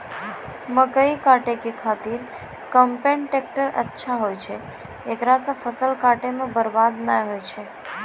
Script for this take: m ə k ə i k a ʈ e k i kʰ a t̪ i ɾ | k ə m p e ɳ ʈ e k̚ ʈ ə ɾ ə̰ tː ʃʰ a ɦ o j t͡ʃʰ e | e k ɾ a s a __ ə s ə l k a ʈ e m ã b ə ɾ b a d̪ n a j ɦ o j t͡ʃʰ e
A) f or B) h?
A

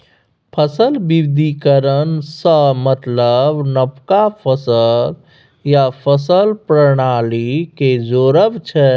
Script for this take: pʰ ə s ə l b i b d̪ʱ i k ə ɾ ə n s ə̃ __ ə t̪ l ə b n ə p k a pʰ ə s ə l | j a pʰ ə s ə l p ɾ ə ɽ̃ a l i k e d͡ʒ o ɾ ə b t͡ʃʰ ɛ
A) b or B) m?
B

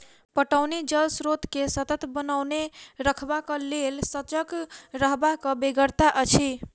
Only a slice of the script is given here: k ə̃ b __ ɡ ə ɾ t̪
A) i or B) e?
B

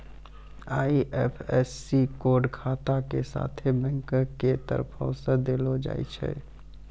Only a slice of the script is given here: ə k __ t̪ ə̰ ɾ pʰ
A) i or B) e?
B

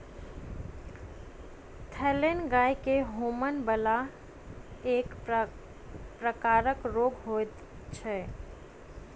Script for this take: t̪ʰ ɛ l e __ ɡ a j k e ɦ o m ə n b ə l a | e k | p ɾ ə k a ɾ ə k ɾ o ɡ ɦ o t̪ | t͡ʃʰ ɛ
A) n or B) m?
A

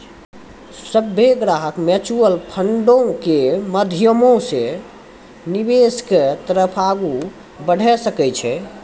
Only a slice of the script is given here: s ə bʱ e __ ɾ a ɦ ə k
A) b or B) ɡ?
B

